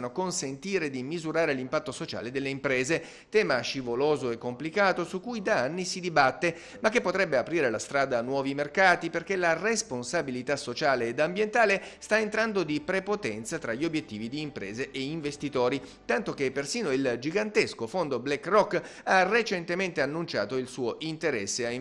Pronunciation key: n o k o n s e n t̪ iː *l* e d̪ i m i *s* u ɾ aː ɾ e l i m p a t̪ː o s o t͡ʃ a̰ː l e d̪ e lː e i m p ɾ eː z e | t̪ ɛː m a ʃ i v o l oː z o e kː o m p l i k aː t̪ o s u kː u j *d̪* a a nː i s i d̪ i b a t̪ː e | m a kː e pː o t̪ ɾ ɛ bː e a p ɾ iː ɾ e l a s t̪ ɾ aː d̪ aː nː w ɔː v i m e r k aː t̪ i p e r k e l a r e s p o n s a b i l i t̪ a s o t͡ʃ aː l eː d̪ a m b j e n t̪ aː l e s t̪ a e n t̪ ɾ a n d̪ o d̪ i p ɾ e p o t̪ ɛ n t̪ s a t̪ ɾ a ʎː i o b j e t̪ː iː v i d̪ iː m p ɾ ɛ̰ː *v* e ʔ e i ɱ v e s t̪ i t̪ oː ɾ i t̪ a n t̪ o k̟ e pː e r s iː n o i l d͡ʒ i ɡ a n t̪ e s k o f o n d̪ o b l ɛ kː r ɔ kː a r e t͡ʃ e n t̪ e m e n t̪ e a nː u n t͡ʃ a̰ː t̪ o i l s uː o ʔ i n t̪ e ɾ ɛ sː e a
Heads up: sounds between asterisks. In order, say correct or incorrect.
incorrect, incorrect, correct, incorrect

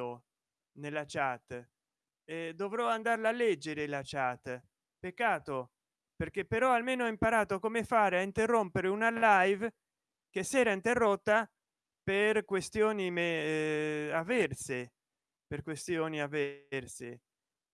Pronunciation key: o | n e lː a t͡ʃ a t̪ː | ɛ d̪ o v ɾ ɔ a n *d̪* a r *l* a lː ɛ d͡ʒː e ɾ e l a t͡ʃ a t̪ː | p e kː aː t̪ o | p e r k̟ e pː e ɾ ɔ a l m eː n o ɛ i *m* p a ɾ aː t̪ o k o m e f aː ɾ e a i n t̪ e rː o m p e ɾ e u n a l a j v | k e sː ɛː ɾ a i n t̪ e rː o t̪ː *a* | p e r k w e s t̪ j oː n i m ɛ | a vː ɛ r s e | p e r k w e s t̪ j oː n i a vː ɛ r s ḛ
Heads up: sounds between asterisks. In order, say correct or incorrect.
correct, correct, correct, correct

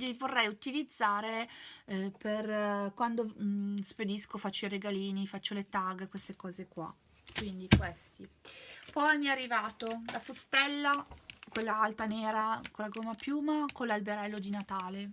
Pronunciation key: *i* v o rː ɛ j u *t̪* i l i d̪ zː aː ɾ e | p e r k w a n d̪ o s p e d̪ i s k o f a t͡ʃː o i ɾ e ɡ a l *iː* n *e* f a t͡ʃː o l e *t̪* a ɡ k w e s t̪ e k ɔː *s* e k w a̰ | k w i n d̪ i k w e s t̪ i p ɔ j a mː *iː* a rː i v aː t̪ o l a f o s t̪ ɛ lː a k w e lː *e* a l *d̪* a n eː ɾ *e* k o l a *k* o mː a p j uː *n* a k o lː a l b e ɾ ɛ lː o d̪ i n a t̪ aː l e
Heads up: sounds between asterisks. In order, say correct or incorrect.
correct, correct, correct, incorrect, correct, incorrect, incorrect, incorrect, incorrect, incorrect, incorrect, incorrect

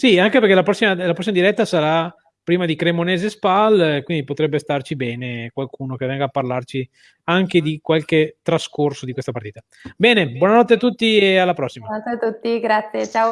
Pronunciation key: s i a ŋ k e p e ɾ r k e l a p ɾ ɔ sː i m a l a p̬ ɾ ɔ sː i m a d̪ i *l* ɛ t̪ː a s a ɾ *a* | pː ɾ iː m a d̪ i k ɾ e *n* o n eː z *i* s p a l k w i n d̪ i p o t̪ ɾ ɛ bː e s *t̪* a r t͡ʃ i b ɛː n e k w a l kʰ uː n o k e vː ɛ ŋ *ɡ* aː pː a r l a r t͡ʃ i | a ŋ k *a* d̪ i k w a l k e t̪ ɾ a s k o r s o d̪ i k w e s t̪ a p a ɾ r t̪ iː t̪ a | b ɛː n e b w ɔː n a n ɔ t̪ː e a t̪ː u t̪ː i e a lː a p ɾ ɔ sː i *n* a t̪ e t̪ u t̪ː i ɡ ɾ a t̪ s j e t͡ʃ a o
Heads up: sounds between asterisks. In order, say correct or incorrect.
incorrect, correct, incorrect, incorrect, correct, correct, incorrect, incorrect

